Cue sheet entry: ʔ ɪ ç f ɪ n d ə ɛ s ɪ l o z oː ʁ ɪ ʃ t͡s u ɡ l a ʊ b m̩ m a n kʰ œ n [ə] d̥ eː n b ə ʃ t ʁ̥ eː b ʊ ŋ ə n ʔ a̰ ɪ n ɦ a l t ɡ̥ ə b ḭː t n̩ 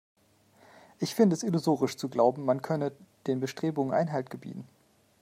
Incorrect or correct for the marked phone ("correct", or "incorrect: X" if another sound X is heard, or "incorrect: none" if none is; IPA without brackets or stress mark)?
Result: correct